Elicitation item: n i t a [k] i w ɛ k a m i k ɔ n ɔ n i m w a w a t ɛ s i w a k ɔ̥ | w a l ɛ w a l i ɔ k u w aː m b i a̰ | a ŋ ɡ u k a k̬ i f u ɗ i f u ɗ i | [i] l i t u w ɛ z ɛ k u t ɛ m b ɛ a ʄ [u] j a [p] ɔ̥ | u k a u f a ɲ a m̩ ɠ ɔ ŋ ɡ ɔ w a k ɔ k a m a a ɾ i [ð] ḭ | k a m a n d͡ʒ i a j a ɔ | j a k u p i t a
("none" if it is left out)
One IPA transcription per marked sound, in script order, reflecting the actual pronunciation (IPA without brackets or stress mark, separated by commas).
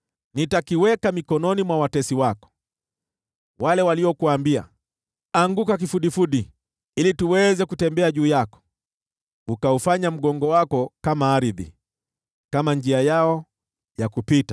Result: k, i, uː, k, ð